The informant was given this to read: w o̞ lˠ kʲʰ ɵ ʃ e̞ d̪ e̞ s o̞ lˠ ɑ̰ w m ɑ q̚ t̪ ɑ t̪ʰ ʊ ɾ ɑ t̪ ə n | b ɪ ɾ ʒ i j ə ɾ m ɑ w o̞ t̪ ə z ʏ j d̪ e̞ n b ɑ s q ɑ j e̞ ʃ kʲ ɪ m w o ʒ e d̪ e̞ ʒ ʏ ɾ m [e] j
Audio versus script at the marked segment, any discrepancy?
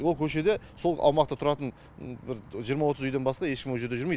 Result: no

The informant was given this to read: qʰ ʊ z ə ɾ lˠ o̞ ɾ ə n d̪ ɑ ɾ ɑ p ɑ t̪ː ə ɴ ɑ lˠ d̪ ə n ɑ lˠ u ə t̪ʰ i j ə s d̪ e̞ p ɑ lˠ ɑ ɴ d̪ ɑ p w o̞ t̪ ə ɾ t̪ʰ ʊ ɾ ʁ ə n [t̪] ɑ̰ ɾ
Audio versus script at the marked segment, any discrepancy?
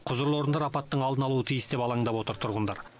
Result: yes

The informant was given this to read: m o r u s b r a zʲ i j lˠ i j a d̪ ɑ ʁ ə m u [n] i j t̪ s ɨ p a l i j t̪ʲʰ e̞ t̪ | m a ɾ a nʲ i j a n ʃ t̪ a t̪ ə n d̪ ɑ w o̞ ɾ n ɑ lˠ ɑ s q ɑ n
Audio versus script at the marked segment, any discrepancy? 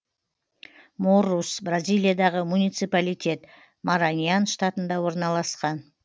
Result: no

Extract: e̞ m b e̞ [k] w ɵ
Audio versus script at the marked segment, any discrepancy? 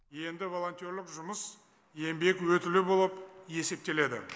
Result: no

